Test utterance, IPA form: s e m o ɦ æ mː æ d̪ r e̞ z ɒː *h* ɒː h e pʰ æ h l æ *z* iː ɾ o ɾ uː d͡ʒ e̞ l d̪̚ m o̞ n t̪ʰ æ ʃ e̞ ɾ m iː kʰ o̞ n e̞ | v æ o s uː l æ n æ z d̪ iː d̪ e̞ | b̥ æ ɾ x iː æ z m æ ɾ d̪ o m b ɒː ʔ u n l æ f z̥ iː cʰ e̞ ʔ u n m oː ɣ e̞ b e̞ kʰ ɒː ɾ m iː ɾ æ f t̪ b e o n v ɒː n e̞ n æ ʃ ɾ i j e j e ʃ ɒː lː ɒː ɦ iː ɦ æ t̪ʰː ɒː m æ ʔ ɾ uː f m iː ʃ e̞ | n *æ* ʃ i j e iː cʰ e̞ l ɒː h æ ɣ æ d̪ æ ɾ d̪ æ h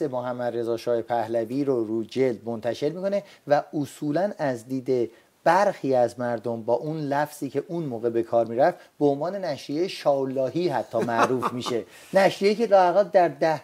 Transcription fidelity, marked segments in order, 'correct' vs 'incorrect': incorrect: ʃ, incorrect: v, correct

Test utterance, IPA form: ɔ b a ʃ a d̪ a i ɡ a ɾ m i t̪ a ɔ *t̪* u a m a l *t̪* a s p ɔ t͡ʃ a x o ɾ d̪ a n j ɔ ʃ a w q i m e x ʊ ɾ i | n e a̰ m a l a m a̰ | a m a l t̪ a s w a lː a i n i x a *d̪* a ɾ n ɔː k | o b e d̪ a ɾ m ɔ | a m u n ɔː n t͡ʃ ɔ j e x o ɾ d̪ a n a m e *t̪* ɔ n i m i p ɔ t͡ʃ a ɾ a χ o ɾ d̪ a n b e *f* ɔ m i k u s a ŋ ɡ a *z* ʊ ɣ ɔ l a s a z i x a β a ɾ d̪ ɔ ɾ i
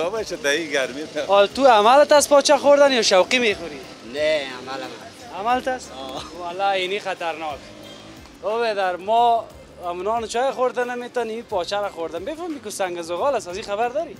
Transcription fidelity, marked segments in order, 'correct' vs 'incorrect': correct, correct, incorrect: t̪, correct, correct, correct

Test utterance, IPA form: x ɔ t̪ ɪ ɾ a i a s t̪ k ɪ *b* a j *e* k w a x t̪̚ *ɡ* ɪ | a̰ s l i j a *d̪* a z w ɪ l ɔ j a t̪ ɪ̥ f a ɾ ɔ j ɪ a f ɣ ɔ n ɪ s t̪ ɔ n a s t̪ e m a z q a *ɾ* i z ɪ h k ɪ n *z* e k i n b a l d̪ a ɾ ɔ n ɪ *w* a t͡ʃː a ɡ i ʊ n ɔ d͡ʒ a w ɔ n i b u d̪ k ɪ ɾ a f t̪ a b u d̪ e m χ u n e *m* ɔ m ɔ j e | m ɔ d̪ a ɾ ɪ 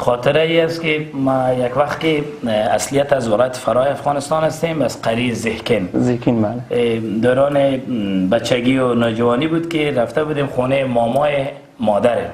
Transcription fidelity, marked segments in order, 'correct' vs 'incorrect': incorrect: m, incorrect: a, incorrect: k, incorrect: t̪, correct, correct, incorrect: b, correct

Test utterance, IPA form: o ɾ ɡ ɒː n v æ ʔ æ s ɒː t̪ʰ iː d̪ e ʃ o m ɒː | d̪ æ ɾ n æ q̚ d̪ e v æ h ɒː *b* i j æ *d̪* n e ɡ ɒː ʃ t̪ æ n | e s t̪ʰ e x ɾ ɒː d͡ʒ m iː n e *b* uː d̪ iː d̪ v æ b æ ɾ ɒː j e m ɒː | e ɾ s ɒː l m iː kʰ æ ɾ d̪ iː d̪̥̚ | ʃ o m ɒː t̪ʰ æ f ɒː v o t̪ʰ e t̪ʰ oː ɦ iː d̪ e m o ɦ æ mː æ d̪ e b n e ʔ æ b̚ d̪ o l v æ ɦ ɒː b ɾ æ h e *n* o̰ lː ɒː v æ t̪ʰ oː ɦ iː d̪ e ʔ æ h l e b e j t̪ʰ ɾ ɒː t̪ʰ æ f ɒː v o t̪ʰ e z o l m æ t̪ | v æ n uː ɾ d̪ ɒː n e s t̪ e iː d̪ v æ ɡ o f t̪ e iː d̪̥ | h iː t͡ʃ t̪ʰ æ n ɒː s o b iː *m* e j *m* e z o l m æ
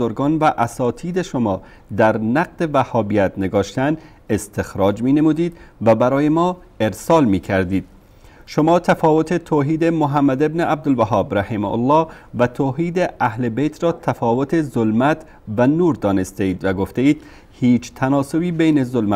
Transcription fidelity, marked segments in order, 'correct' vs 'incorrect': correct, incorrect: t̪, incorrect: m, incorrect: m, incorrect: b, incorrect: n

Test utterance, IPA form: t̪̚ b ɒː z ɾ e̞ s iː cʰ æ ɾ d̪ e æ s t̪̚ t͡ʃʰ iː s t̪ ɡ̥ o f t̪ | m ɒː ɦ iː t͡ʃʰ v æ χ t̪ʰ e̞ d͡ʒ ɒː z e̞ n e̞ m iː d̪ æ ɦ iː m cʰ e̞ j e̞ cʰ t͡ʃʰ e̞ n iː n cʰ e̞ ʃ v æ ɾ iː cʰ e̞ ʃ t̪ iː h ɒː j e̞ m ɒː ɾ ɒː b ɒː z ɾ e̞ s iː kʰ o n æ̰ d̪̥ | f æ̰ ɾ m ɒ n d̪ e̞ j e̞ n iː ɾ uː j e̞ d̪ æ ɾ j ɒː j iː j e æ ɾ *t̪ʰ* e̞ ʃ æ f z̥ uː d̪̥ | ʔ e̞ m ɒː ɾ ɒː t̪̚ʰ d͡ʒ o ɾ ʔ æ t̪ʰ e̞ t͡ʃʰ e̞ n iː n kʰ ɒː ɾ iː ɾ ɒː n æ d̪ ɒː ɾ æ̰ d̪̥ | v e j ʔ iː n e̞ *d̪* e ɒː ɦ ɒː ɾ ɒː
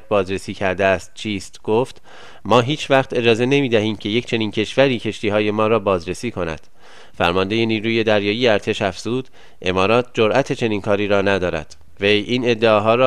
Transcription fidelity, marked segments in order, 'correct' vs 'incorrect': correct, incorrect: d̪ː

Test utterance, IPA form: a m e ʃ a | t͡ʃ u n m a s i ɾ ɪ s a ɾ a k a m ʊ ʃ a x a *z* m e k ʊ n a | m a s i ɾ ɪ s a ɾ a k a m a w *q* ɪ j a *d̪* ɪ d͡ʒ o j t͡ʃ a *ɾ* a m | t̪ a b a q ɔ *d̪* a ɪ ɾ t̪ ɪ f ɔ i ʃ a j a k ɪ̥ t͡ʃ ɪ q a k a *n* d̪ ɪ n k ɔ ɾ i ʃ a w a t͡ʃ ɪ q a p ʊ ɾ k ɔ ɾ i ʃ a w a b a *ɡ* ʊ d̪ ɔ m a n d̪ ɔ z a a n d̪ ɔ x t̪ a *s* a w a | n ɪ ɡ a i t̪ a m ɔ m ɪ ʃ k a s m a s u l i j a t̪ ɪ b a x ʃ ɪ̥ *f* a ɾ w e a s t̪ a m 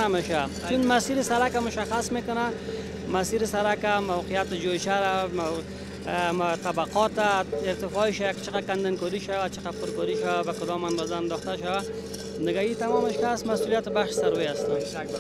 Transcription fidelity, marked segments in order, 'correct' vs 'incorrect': incorrect: s, correct, incorrect: t̪, correct, incorrect: t̪, correct, incorrect: k, incorrect: ʃ, incorrect: s

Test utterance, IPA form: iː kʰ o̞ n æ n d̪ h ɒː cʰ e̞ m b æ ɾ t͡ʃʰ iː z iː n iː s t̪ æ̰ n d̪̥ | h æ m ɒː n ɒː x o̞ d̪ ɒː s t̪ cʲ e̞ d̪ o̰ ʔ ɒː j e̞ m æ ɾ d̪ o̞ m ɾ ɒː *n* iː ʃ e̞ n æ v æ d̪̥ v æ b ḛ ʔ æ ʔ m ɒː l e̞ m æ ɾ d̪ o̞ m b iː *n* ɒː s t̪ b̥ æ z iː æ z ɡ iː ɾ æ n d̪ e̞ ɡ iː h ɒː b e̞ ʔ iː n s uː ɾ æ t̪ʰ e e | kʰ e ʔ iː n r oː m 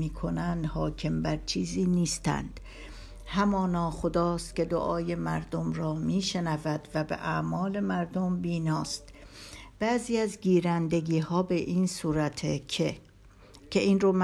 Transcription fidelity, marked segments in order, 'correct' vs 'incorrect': incorrect: m, correct

